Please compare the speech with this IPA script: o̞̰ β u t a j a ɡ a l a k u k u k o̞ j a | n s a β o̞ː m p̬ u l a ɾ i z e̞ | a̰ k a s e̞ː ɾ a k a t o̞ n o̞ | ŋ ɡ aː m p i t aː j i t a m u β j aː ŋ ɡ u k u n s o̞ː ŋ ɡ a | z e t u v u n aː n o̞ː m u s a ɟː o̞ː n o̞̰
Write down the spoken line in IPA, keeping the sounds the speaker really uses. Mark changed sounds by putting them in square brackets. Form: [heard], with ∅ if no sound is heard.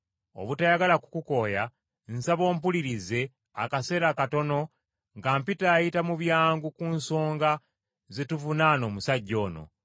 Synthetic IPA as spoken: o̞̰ β u t a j a ɡ a l a k u k u k o̞ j a | n s a β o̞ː m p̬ u l [i] ɾ i z e̞ | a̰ k a s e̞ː ɾ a k a t o̞ n o̞ | ŋ ɡ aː m p i t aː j i t a m u β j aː ŋ ɡ u k u n s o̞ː ŋ ɡ a | z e t u v u n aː n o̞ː m u s a ɟː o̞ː n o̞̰